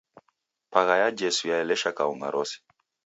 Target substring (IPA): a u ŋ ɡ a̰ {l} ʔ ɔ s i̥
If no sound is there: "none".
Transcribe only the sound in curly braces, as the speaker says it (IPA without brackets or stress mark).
ɾ